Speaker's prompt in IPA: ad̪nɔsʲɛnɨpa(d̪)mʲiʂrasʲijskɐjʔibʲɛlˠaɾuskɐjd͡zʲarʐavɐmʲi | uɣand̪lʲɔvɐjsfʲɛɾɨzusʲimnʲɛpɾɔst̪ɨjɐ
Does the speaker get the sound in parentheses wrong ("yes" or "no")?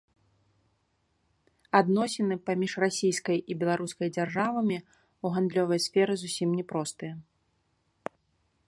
yes